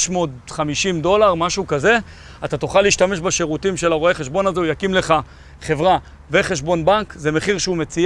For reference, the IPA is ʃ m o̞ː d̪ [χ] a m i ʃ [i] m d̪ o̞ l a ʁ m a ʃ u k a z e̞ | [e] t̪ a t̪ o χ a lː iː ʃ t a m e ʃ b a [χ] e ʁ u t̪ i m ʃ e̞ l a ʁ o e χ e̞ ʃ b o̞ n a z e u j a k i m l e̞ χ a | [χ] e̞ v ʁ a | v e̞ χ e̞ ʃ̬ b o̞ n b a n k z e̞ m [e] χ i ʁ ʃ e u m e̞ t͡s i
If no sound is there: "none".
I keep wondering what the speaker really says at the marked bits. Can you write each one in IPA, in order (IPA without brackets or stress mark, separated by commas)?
χ, i, a, ʃ, χ, e